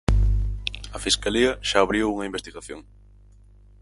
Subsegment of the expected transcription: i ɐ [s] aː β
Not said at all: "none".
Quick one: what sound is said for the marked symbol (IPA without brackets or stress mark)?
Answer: ʃ